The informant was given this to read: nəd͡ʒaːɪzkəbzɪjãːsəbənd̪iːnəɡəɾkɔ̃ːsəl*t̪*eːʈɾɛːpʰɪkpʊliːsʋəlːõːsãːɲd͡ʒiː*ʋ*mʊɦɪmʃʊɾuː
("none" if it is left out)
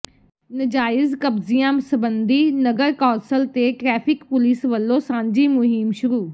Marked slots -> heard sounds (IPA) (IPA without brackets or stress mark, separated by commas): t̪, none